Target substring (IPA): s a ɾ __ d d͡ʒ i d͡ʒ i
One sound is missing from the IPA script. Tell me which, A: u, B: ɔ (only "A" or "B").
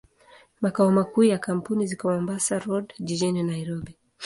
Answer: B